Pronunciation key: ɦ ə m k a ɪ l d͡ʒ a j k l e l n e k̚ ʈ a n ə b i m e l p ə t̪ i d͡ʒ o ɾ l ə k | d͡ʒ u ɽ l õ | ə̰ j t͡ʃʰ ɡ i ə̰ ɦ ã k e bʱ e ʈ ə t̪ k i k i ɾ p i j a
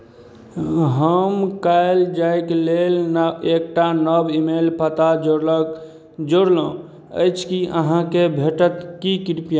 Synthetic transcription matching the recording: ɦ ə m k a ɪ l d͡ʒ a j k l e l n e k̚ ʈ a n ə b i m e l p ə t̪ a d͡ʒ o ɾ l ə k | d͡ʒ o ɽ l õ | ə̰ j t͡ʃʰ k i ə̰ ɦ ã k e bʱ e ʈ ə t̪ k i k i ɾ p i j a